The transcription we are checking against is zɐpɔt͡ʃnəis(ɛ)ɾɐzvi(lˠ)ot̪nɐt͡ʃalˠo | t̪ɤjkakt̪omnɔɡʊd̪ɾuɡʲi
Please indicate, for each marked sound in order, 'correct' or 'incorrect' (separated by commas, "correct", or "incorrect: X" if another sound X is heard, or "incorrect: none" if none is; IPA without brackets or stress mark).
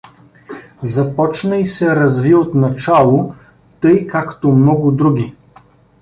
correct, incorrect: none